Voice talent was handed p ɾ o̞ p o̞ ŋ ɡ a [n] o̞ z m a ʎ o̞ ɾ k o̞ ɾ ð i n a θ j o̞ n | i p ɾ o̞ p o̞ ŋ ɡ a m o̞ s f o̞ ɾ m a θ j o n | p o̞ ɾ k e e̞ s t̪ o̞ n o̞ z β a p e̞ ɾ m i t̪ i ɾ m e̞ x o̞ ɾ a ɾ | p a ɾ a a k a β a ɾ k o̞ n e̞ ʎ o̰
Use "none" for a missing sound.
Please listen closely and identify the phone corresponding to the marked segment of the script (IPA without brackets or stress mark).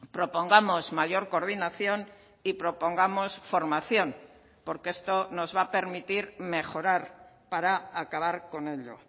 m